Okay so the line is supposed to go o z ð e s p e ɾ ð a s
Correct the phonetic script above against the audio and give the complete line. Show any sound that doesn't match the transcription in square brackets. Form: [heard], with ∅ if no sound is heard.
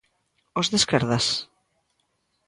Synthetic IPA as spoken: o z ð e s [k] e ɾ ð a s

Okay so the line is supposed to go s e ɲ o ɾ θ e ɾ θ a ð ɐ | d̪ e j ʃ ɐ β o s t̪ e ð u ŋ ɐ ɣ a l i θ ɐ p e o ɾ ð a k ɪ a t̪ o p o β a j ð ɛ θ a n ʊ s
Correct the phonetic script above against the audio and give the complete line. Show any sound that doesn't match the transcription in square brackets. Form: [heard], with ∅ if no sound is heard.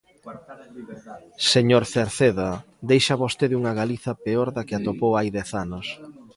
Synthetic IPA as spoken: s e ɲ o ɾ θ e ɾ θ [e] ð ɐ | d̪ e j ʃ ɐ β o s t̪ e ð u ŋ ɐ ɣ a l i θ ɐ p e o ɾ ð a k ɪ a t̪ o p o [w] a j ð ɛ θ a n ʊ s

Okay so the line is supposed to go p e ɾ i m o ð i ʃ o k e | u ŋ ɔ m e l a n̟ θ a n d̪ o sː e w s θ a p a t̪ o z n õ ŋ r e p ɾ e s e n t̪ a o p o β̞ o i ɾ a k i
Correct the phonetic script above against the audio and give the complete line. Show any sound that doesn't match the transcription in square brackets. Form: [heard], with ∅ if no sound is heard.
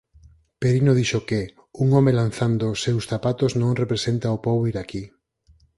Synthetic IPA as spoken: p e ɾ i [n] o ð i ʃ o k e | u ŋ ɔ m e l a n̟ θ a n d̪ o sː e w s θ a p a t̪ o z n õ ŋ r e p ɾ e s e n t̪ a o p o β̞ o i ɾ a k i

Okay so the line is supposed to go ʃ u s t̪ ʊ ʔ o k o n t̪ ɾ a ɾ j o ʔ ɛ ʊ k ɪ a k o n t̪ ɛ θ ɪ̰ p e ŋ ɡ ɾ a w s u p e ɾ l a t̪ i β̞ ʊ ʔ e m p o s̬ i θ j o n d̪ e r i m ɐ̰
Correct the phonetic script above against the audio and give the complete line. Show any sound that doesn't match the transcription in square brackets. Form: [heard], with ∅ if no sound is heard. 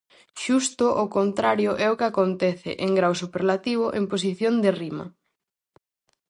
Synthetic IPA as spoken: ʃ u s t̪ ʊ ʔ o k o n t̪ ɾ a ɾ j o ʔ ɛ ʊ k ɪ a k o n t̪ ɛ θ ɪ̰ [ʔ] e ŋ ɡ ɾ a w s u p e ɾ l a t̪ i β̞ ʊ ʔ e m p o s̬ i θ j o n d̪ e r i m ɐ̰

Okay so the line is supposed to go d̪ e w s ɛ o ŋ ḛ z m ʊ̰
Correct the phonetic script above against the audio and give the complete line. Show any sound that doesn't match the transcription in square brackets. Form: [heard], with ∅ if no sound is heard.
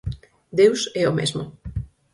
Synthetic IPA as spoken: d̪ e w s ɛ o [m] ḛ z m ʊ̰

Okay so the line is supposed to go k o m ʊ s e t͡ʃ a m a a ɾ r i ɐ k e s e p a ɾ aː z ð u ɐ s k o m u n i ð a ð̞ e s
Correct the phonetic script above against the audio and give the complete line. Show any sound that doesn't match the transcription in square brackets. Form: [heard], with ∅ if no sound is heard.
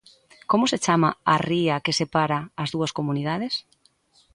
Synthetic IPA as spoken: k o m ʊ s e t͡ʃ a m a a [∅] r i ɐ k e s e p a ɾ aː z ð u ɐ s k o m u n i ð a ð̞ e s

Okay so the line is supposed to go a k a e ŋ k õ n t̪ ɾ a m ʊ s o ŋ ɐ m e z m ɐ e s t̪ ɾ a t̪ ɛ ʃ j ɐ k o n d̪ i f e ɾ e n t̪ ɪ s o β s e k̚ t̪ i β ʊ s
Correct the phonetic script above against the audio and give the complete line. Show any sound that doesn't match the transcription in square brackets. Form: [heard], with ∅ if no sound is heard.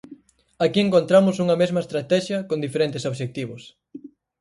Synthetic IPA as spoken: a k [i] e ŋ k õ n t̪ ɾ a m ʊ s [u] ŋ ɐ m e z m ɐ e s t̪ ɾ a t̪ ɛ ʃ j ɐ k o n d̪ i f e ɾ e n t̪ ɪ s o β [ʃ] e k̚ t̪ i β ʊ s

